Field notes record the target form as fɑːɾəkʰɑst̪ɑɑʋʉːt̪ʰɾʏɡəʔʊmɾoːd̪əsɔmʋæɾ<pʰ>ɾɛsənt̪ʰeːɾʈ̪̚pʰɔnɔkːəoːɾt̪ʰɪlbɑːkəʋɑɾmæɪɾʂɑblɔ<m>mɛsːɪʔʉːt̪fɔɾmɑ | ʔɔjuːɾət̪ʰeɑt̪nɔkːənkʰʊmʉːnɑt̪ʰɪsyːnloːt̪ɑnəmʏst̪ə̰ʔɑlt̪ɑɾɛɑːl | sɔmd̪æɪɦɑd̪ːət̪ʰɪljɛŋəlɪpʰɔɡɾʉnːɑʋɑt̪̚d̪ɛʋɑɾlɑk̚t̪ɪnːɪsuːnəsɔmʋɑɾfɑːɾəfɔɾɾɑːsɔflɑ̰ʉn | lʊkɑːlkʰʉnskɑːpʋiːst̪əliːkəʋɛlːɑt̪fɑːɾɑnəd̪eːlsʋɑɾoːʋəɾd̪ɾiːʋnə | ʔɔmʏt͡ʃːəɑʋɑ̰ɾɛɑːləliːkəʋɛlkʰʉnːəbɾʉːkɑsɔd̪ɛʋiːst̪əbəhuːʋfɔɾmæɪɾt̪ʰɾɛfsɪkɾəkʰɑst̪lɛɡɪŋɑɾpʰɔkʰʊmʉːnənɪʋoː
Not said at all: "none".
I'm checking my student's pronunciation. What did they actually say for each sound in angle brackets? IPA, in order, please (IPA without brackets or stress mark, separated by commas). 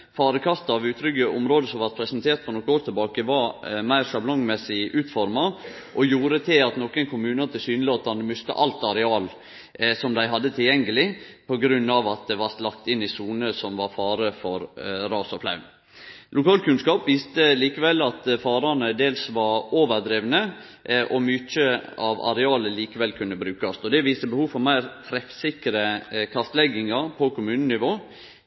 pʰ, ŋ